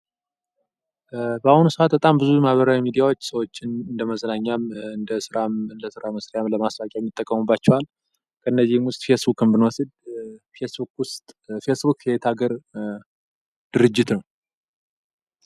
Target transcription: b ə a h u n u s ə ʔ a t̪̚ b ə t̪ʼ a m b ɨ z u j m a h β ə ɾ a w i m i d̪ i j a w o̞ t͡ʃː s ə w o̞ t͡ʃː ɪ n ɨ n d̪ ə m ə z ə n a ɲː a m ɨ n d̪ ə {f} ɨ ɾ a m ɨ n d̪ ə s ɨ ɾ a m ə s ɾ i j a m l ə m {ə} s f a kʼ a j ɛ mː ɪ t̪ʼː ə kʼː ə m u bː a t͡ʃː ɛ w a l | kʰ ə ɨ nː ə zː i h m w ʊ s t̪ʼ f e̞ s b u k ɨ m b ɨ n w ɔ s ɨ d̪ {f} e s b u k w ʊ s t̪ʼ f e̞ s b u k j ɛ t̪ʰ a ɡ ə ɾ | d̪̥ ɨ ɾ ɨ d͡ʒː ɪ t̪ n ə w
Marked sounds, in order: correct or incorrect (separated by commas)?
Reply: incorrect, incorrect, correct